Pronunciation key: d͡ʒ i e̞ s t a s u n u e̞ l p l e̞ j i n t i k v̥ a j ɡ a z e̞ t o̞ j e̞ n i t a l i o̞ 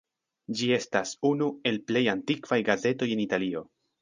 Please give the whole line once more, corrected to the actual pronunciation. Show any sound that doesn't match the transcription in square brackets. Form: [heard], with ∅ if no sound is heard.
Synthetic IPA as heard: d͡ʒ i e̞ s t a s u n u e̞ l p l e̞ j [a] n t i k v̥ a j ɡ a z e̞ t o̞ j e̞ n i t a l i o̞